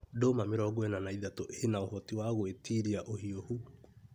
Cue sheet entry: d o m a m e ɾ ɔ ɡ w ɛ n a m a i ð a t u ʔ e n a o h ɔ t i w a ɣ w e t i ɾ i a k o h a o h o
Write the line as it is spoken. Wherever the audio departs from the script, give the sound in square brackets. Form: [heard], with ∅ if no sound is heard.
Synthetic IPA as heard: d o m a m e ɾ ɔ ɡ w ɛ n a [n] a i ð a t [o] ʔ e n a o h ɔ t i w a ɣ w e t i ɾ i a [ʔ] o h [i] o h [u]